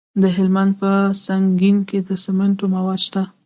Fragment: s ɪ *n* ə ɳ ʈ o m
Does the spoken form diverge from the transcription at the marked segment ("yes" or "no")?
yes